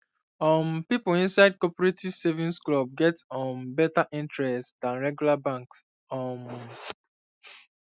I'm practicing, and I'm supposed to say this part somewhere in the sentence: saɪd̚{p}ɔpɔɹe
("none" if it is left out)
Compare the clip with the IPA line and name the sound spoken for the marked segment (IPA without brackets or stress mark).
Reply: k